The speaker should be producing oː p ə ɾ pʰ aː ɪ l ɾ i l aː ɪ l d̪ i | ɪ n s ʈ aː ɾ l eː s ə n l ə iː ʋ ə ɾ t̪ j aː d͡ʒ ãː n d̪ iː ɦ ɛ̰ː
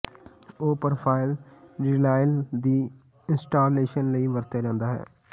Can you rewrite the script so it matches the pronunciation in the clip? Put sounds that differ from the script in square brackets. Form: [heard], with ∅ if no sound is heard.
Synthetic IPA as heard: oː p ə ɾ pʰ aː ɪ l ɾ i l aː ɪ l d̪ [iː] | ɪ n s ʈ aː ɾ l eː [ʃ] ə n l ə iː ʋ ə ɾ t̪ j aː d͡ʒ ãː n d̪ [aː] ɦ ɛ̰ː